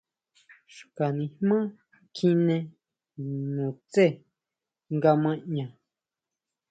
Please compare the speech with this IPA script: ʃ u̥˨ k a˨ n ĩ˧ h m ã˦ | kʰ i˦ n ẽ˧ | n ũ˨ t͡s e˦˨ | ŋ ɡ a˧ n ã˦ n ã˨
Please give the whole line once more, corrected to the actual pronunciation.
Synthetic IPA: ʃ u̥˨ k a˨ n ĩ˧ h m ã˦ | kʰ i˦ n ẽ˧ | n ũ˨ t͡s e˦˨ | ŋ ɡ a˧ m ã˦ ɲ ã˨